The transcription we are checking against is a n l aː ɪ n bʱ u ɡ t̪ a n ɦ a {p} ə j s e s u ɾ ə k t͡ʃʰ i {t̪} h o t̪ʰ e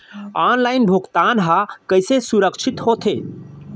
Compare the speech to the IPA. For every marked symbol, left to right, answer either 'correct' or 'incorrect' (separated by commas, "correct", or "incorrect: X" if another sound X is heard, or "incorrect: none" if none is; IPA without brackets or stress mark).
incorrect: k, correct